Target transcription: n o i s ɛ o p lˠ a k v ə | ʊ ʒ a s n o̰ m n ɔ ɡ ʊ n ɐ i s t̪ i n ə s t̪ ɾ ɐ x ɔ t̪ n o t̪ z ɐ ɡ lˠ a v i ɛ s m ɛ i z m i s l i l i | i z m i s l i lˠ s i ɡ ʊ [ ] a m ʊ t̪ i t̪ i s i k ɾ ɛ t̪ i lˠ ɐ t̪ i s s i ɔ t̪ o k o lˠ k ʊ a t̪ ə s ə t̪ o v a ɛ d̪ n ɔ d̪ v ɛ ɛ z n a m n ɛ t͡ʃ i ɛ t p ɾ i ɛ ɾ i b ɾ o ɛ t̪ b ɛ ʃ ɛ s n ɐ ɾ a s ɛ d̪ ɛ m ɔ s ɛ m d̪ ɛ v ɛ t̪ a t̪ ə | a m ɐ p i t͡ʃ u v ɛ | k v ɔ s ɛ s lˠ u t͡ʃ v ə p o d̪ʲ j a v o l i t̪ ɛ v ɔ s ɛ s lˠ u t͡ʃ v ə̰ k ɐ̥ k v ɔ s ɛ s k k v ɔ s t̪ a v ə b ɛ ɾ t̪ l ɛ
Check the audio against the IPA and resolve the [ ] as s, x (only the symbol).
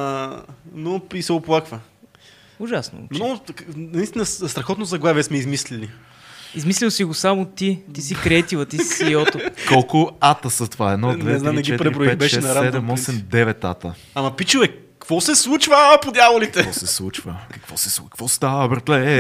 s